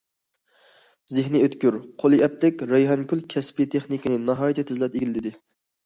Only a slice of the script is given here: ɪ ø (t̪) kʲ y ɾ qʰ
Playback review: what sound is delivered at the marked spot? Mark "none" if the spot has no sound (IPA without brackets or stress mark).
t̪